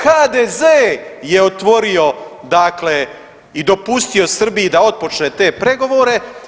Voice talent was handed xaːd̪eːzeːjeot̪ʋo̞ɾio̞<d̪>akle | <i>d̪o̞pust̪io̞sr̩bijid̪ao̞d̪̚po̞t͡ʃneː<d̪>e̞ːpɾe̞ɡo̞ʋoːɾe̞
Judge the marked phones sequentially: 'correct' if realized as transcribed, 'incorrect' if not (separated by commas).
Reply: correct, correct, incorrect